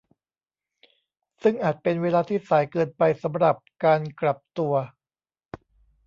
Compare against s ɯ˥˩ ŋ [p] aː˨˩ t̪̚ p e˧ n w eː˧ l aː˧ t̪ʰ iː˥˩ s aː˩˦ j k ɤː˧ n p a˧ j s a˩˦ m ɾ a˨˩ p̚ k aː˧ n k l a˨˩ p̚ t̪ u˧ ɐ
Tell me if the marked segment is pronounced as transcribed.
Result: no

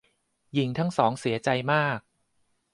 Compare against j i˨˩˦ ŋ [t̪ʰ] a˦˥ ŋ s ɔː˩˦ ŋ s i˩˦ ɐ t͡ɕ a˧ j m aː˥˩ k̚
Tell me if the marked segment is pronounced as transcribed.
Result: yes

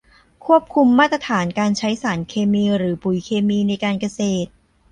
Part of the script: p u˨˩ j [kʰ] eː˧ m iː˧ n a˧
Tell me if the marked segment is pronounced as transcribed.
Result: yes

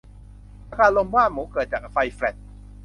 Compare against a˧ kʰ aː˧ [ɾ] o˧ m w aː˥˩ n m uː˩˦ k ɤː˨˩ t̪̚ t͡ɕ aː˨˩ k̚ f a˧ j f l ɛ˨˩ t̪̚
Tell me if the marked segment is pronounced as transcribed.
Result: no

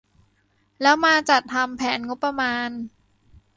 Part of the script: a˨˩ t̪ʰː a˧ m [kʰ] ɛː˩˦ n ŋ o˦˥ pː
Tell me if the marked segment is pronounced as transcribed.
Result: no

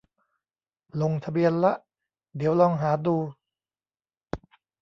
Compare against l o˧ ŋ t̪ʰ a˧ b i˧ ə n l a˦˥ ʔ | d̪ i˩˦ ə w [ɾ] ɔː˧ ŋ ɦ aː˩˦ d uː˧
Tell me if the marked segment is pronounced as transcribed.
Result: no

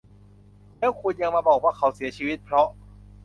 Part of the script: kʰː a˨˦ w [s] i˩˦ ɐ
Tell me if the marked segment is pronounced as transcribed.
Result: yes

